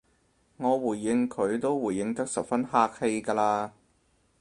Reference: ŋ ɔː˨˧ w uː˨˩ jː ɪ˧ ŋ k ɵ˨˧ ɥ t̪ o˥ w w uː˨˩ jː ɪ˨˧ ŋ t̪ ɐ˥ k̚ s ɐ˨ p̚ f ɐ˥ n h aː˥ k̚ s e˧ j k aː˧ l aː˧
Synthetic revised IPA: ŋ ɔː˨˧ w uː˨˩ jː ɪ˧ ŋ kʰ ɵ˨˧ ɥ t̪ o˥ w w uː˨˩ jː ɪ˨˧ ŋ t̪ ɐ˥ k̚ s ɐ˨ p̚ f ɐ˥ n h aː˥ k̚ h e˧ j k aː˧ l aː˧